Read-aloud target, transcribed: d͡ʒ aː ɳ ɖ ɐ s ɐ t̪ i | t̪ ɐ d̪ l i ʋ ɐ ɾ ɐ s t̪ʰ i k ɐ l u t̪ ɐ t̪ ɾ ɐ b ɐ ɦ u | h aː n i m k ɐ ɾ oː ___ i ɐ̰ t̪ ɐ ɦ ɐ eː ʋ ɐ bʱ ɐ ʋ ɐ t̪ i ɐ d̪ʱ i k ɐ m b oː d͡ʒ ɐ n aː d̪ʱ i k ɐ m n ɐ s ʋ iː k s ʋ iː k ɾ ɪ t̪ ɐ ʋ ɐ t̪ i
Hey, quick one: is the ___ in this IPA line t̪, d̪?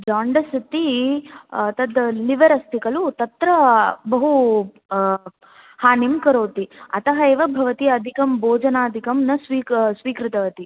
t̪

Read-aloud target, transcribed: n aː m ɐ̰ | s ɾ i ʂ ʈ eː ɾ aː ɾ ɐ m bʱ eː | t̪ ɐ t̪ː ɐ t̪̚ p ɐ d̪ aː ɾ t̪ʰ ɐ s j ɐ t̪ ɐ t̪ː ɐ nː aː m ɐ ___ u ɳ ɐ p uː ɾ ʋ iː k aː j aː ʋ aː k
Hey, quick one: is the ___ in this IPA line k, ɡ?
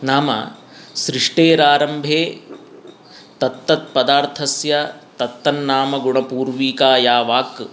ɡ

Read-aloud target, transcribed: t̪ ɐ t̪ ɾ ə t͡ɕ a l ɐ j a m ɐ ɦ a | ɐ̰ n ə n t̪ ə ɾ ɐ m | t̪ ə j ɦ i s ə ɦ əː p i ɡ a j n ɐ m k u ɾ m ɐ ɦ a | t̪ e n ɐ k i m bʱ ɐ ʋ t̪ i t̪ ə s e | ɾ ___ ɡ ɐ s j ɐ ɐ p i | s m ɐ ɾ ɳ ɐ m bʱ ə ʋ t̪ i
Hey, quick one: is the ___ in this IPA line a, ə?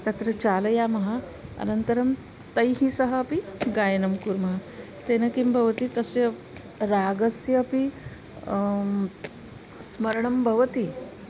a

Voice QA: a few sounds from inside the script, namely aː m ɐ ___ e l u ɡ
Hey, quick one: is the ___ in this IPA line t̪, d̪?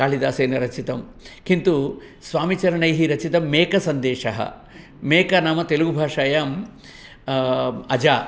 t̪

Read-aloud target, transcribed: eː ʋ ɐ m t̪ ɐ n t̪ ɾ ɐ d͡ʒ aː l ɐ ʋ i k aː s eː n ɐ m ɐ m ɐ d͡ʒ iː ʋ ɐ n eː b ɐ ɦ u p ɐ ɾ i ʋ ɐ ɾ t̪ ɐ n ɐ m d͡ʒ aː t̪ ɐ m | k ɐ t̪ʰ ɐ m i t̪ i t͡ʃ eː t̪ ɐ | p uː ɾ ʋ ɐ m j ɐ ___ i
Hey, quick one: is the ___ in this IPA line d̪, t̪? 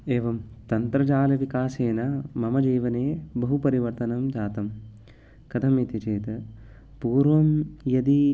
d̪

